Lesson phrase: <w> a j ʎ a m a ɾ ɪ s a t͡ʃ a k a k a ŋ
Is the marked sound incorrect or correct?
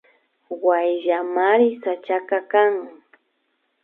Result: correct